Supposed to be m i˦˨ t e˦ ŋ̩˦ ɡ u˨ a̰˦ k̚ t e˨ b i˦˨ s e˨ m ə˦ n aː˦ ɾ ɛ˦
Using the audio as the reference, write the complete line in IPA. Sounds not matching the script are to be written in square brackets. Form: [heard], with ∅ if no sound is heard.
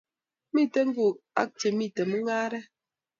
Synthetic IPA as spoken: m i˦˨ t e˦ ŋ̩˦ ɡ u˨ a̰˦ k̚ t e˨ [m] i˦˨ [t] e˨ m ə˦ [ŋ] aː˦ ɾ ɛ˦